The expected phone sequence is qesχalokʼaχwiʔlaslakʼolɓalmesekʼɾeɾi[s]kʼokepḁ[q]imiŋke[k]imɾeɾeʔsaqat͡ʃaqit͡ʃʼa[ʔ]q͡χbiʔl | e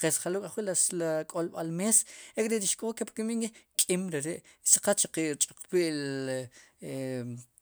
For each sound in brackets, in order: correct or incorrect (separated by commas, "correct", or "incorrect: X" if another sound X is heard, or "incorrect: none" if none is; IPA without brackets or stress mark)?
incorrect: ʃ, incorrect: k, incorrect: kʼ, incorrect: none